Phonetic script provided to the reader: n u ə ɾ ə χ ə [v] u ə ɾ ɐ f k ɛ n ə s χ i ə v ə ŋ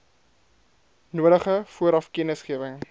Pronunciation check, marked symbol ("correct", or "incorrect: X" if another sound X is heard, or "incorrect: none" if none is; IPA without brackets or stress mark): incorrect: f